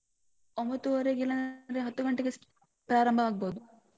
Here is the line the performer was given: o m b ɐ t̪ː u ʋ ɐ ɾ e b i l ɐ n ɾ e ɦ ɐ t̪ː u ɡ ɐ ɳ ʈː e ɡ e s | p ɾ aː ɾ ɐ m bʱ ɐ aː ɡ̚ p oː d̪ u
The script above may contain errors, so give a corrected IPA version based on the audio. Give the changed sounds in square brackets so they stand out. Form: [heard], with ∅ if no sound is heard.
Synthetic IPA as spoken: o m b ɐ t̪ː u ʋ ɐ ɾ e [ɡ] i l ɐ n ɾ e ɦ ɐ t̪ː u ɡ ɐ ɳ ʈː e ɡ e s | p ɾ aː ɾ ɐ m bʱ ɐ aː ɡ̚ [b] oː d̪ u